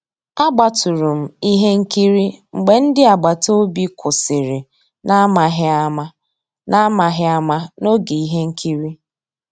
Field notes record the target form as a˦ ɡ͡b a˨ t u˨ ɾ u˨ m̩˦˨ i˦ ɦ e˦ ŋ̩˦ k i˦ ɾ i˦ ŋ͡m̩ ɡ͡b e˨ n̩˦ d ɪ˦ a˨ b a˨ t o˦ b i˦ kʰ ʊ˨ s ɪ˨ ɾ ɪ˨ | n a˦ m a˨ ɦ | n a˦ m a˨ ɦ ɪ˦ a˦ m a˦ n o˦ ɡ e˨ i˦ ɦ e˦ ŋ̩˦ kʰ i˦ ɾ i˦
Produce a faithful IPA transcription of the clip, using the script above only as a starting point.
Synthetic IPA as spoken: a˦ ɡ͡b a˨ t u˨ ɾ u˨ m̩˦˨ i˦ ɦ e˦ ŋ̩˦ k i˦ ɾ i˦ ŋ͡m̩ ɡ͡b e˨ n̩˦ d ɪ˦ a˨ ɡ͡b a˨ t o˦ b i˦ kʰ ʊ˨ s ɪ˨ ɾ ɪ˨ | n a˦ m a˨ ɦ | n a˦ m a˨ ɦ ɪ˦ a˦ m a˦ n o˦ ɡ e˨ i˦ ɦ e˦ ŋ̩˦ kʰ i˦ ɾ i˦